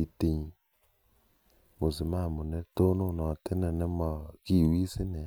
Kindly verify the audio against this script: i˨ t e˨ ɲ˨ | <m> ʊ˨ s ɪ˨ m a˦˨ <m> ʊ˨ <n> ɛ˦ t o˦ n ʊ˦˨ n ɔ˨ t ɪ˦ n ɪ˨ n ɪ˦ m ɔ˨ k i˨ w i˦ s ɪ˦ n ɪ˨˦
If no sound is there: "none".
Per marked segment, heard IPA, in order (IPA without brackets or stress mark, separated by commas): m, m, n